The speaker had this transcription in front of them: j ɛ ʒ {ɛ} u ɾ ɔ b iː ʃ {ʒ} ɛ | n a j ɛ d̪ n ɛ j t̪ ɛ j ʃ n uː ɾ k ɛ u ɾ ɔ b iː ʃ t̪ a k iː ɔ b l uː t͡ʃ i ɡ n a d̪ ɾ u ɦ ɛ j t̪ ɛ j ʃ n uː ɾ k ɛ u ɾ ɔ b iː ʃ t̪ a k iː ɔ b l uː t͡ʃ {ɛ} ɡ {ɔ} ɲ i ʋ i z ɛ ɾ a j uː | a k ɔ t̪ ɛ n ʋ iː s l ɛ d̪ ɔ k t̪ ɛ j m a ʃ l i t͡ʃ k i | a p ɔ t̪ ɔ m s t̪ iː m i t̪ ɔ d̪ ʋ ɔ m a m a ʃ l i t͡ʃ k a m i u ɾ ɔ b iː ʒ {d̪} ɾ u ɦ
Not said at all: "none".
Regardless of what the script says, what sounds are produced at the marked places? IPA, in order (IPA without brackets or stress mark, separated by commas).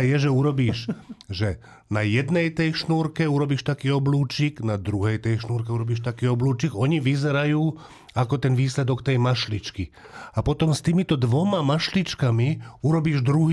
ɛ, ʒ, i, ɔ, d̪